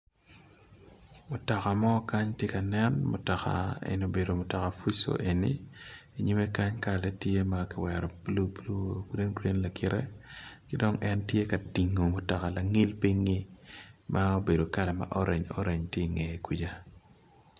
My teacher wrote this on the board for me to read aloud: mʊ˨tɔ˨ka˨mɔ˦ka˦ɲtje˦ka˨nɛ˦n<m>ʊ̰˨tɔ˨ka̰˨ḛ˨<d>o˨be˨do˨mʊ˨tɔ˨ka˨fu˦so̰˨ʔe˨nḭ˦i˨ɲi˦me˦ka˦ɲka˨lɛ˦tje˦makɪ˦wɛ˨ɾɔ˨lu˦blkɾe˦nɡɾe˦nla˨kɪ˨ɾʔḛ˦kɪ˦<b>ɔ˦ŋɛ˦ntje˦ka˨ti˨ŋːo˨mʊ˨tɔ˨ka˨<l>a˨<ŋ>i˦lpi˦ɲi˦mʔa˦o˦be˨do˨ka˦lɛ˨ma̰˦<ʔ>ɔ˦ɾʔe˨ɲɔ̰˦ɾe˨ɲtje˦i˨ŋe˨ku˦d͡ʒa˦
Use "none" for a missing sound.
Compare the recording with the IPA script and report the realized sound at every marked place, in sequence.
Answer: m, n, d, l, ŋ, ʔ

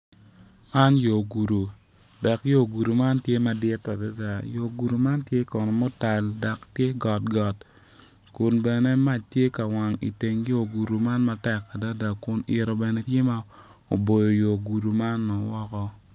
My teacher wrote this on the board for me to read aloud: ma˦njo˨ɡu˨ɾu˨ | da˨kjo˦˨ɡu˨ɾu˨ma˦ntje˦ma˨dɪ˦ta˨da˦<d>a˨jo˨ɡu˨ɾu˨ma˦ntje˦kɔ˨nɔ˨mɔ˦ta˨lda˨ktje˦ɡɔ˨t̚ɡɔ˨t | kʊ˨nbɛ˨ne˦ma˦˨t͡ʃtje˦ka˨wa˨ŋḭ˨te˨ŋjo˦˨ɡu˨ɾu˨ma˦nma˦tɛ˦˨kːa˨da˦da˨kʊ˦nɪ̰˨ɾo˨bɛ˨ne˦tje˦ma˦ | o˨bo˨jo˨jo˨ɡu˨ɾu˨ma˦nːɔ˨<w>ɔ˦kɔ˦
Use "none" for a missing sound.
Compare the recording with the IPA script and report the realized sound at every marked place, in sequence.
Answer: d, w

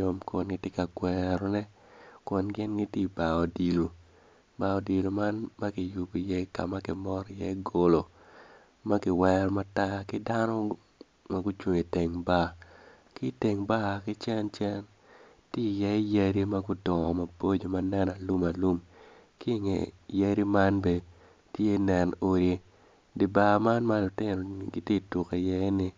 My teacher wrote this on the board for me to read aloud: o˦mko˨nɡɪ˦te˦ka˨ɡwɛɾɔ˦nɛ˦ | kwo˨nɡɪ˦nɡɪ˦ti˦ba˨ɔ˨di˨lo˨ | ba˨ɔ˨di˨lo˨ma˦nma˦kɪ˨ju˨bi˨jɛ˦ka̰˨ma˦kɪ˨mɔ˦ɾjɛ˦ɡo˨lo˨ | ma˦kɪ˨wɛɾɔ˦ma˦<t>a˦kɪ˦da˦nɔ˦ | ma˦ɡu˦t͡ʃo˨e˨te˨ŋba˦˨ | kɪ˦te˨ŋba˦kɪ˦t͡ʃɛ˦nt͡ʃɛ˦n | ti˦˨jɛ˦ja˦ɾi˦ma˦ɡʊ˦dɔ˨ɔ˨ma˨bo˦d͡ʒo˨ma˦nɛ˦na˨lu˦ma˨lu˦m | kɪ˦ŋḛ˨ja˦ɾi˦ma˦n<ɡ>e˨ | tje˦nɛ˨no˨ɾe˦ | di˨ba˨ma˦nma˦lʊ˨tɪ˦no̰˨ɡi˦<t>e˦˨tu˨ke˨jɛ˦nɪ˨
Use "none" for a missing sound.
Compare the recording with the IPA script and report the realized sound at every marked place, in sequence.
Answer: t, b, t

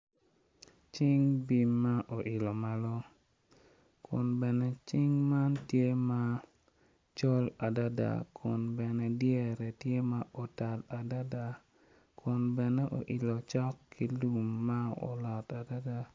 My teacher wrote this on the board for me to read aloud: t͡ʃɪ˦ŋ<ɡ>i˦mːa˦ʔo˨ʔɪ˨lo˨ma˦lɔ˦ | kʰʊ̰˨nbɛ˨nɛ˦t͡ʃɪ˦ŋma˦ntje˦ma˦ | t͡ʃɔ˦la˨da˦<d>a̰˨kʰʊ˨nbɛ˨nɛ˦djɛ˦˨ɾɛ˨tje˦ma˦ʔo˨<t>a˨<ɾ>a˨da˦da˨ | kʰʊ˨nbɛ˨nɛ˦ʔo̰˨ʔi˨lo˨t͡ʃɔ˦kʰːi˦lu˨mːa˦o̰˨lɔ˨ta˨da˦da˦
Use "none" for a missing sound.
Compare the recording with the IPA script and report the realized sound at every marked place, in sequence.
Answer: b, d, t, l

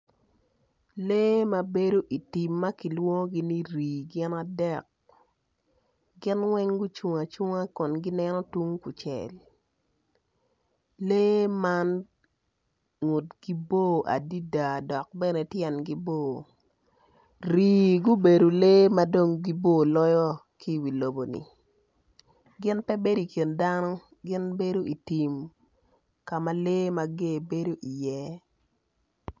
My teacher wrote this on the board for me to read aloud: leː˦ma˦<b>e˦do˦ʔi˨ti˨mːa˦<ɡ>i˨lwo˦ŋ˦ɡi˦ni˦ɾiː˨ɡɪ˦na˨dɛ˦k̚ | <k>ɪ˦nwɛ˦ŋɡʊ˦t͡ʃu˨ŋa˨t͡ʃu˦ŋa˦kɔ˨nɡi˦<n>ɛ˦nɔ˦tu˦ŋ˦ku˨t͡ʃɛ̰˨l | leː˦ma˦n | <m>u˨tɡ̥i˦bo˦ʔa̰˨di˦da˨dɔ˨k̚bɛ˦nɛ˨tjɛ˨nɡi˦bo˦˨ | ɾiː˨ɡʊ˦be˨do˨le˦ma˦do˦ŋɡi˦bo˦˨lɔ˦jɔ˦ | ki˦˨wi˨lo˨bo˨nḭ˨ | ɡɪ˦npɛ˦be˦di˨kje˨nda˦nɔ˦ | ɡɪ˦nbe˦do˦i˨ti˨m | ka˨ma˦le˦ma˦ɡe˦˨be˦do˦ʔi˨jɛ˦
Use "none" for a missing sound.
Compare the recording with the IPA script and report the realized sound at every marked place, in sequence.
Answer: b, k, ɡ, n, ŋ

